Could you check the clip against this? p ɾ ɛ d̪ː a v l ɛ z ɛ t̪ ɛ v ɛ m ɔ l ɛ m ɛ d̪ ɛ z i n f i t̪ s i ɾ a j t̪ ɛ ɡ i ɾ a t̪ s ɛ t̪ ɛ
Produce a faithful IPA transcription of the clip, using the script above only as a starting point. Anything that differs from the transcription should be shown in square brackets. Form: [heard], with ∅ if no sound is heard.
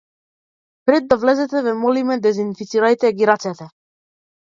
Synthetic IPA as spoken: p ɾ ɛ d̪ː a v l ɛ z ɛ t̪ ɛ v ɛ m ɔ l [i] m ɛ d̪ ɛ z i n f i t̪ s i ɾ a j t̪ ɛ ɡ i ɾ a t̪ s ɛ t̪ ɛ

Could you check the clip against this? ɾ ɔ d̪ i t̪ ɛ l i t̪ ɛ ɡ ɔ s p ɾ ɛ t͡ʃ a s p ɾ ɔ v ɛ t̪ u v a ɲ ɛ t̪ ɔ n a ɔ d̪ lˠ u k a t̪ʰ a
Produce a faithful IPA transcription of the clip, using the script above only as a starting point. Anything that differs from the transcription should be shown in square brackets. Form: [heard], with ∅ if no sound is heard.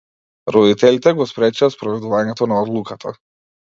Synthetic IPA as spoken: ɾ ɔ d̪ i t̪ ɛ l i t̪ ɛ ɡ ɔ s p ɾ ɛ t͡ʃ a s p ɾ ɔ v ɛ [d̪] u v a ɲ ɛ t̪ ɔ n a ɔ d̪ lˠ u k a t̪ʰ a

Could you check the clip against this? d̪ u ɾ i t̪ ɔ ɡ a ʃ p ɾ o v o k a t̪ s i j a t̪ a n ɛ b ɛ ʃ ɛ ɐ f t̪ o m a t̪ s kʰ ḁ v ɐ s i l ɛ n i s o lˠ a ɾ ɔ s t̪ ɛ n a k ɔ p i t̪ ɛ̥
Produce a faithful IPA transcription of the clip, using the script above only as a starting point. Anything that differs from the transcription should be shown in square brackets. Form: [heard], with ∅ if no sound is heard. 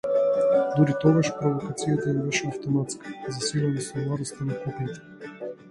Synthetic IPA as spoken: d̪ u ɾ i t̪ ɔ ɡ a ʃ p ɾ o v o k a t̪ s i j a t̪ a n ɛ b ɛ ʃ ɛ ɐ f t̪ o m a t̪ s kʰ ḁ [z] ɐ s i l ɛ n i s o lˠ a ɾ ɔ s t̪ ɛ n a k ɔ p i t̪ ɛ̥

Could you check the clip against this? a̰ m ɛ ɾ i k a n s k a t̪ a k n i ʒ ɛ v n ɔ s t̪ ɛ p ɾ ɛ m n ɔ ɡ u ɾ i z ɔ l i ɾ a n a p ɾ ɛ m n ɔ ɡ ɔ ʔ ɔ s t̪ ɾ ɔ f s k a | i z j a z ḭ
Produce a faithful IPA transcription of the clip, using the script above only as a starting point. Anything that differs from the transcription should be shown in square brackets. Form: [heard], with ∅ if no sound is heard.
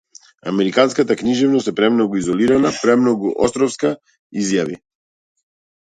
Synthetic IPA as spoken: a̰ m ɛ ɾ i k a n s k a t̪ a k n i ʒ ɛ v n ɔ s t̪ ɛ p ɾ ɛ m n ɔ ɡ u [∅] i z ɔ l i ɾ a n a p ɾ ɛ m n ɔ ɡ [u] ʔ ɔ s t̪ ɾ ɔ f s k a | i z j a [v] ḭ

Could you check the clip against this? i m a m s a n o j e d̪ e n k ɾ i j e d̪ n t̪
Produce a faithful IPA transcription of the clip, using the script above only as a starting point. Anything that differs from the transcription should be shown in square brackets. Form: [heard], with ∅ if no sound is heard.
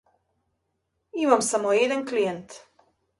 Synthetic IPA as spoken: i m a m s a [m] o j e d̪ [a] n k [l] i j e [∅] n t̪

